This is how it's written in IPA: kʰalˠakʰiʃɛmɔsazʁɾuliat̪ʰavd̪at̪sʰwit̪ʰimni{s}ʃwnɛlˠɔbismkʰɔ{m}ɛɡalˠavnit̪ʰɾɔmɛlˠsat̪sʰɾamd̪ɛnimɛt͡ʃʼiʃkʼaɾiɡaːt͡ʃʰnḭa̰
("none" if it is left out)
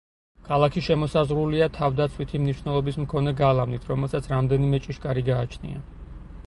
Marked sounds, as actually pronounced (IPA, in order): none, n

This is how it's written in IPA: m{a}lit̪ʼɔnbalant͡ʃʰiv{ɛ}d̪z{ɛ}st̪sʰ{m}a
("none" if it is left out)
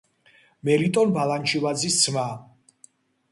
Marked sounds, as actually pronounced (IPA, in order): ɛ, a, i, m

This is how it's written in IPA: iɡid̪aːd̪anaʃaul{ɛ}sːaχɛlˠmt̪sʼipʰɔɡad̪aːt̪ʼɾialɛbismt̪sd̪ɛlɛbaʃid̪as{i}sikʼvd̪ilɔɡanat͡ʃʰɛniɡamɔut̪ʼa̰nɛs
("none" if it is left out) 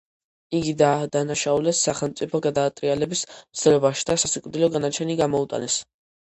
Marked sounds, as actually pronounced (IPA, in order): ɛ, a

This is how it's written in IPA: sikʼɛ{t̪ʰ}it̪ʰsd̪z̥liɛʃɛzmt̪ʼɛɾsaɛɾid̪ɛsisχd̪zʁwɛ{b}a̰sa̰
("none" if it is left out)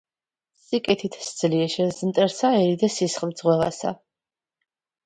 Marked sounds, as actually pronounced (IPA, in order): t̪ʰ, v

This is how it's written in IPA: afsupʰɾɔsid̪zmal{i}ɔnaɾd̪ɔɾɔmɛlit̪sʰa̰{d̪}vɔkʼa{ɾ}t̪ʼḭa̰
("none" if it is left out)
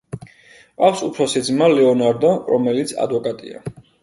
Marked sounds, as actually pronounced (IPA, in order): ɛ, d̪, none

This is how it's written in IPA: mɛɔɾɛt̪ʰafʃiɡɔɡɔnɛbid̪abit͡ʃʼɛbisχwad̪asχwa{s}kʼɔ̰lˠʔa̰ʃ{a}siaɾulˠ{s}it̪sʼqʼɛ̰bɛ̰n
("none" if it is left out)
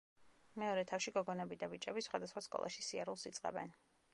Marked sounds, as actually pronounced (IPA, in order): s, i, s

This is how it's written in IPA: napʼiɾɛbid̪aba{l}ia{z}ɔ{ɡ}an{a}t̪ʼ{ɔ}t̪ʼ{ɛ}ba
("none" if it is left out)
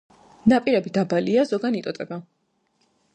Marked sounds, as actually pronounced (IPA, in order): l, z, ɡ, i, ɔ, ɛ

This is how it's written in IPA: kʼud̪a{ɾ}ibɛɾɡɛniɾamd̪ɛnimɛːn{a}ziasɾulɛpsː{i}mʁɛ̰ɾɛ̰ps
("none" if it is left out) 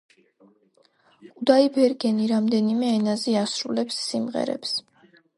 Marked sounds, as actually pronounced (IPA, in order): none, a, i

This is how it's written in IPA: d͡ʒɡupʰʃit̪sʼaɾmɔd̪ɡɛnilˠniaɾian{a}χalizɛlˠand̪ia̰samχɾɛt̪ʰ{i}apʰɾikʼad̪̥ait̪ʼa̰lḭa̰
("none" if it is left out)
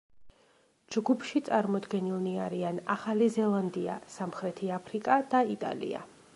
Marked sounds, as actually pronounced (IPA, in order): a, i

